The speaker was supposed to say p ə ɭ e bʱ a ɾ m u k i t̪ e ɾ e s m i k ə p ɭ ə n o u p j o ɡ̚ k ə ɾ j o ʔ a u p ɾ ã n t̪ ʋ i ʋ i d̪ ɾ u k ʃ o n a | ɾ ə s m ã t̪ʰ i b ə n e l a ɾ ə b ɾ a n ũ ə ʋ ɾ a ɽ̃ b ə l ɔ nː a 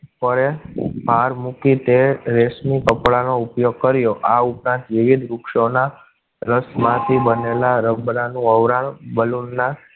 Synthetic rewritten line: p ə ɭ e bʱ a ɾ m u k i t̪ e ɾ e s m i k ə p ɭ a n o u p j o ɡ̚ k ə ɾ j o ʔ a u p ɾ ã n t̪ ʋ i ʋ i d̪ ɾ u k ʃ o n a | ɾ ə s m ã t̪ʰ i b ə n e l a ɾ ə b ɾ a n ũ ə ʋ ɾ a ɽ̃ b ə l u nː a